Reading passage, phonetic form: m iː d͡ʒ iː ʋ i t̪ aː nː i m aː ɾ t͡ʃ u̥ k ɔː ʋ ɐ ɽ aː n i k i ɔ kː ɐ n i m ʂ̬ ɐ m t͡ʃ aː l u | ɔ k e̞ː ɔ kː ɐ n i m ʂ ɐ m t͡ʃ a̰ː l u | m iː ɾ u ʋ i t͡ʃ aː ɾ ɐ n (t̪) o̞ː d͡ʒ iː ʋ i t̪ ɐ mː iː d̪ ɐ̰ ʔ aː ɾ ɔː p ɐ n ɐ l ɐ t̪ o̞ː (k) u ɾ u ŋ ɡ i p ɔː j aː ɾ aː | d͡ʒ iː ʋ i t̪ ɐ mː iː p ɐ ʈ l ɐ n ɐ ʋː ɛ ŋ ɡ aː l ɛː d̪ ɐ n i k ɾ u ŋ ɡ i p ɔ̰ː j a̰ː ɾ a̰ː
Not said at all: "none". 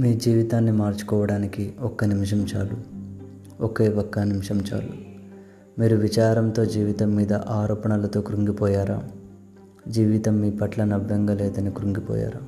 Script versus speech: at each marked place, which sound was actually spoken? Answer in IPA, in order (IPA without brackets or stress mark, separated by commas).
t̪, k